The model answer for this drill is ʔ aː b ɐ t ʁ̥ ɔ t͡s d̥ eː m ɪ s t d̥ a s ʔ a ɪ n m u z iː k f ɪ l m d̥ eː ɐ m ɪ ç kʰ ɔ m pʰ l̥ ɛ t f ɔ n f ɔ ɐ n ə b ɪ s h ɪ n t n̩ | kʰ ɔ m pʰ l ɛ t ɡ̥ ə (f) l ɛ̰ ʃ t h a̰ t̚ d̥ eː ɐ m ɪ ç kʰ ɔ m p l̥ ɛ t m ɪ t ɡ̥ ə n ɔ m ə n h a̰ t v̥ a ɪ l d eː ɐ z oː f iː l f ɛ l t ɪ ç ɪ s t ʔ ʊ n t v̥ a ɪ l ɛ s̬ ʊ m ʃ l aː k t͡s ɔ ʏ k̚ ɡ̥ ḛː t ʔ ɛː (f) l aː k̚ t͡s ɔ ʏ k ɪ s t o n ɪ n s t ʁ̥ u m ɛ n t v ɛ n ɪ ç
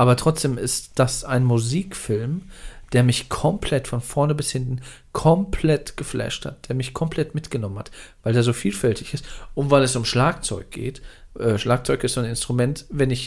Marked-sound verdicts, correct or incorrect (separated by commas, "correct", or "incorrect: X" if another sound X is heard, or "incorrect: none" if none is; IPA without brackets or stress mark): correct, incorrect: ʃ